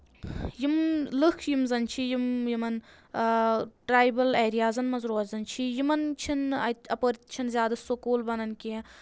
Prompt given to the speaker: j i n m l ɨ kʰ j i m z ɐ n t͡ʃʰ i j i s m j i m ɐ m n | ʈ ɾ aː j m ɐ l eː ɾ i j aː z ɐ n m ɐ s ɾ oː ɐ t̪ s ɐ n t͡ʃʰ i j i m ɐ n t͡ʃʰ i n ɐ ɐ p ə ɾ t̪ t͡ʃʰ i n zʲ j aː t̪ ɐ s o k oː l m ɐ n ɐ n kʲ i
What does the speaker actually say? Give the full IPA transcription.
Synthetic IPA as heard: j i m l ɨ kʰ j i m z ɐ n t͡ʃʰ i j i m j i m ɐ n | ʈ ɾ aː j b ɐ l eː ɾ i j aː z ɐ n m ɐ z ɾ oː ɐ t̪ z ɐ n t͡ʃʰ i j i m ɐ n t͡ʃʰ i n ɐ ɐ p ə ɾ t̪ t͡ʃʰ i n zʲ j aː d̪ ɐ s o k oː l b ɐ n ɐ n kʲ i